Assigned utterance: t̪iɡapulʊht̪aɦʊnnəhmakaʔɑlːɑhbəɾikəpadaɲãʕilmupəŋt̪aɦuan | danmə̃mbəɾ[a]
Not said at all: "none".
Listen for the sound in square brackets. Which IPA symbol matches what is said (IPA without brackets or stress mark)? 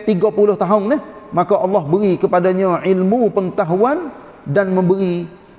i